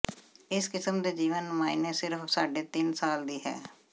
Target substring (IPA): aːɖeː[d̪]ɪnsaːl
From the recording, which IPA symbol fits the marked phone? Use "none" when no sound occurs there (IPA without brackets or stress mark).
t̪